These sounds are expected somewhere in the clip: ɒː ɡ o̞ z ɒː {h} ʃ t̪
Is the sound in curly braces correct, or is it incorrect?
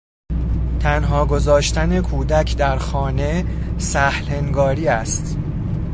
incorrect